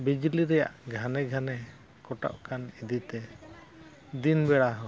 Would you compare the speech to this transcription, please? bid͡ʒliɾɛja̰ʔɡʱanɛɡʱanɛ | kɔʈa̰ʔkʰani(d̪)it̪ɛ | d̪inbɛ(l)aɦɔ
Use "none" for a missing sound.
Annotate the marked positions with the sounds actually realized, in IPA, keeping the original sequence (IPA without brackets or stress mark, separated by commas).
d̪, ɽ